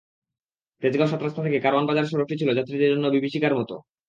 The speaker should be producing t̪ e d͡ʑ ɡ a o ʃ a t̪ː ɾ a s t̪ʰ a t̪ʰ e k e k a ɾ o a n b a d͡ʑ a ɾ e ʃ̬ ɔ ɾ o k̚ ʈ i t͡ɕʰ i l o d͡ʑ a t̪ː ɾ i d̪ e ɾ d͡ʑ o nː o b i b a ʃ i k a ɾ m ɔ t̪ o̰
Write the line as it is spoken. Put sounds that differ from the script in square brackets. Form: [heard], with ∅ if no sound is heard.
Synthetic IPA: t̪ e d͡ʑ ɡ a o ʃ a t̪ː ɾ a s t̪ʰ a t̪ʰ e k e k a ɾ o a n b a d͡ʑ a ɾ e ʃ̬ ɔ ɾ o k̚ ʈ i t͡ɕʰ i l o d͡ʑ a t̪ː ɾ i d̪ e ɾ d͡ʑ o nː o b i b [i] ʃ i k a ɾ m ɔ t̪ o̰